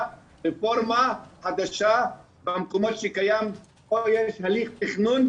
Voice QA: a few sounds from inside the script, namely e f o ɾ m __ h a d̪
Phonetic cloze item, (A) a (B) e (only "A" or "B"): A